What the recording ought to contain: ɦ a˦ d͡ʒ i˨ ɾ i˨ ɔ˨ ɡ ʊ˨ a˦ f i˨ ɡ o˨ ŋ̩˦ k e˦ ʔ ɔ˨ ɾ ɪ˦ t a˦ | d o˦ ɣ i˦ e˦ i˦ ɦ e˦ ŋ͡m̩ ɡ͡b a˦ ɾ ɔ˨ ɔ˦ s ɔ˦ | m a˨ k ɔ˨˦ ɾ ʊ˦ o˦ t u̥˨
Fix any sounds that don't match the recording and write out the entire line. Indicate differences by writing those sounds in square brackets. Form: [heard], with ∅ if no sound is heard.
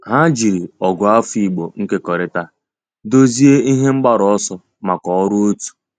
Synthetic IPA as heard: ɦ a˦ d͡ʒ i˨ ɾ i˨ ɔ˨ ɡ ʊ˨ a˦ f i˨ [ɡ͡b] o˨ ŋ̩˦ k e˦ [k] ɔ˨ ɾ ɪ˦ t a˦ | d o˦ [z] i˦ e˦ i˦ ɦ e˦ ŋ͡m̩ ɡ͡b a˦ ɾ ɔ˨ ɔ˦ s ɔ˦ | m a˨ k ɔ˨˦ ɾ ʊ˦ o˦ t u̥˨